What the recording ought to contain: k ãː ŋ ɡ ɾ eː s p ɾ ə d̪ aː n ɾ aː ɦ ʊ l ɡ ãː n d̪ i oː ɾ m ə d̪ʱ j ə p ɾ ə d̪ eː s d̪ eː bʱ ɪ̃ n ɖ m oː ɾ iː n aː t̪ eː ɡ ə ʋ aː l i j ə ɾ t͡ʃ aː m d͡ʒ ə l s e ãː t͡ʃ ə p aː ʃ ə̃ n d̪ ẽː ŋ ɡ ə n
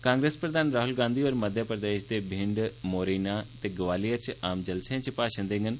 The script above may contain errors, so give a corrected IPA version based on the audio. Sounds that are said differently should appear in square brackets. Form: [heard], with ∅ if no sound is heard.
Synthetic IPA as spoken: k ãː ŋ ɡ ɾ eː s p ɾ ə d̪ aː n ɾ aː ɦ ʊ l ɡ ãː n d̪ i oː ɾ m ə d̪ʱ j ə p ɾ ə d̪ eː [ʃ] d̪ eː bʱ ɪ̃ [ɳ] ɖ m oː ɾ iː n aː t̪ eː ɡ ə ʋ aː l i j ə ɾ t͡ʃ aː m d͡ʒ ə l s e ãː t͡ʃ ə p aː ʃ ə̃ n d̪ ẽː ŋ ɡ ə n